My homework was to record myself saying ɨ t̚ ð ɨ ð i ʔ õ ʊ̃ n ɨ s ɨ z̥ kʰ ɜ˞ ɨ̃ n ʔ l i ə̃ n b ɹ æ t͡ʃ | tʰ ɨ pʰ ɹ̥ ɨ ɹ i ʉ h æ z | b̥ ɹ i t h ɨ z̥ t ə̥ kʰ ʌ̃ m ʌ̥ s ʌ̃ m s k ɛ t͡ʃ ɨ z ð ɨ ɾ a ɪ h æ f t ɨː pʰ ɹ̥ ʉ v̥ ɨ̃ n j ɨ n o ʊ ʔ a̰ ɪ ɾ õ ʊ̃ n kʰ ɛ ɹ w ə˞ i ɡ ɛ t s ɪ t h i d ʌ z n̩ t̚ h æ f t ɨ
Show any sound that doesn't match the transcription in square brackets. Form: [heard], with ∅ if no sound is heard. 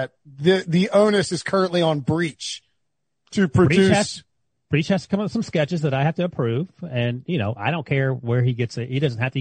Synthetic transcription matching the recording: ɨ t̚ ð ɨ ð i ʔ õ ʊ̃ n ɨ s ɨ z̥ kʰ ɜ˞ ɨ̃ n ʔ l i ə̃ n b ɹ [i] t͡ʃ | tʰ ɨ pʰ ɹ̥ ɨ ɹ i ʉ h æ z | b̥ ɹ i [t͡ʃ] h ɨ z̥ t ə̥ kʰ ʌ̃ m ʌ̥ s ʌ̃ m s k ɛ t͡ʃ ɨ z ð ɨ ɾ a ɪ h æ f t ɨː pʰ ɹ̥ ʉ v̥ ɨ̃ n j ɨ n o ʊ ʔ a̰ ɪ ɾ õ ʊ̃ n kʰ ɛ ɹ w ə˞ i ɡ ɛ t s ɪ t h i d ʌ z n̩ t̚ h æ f t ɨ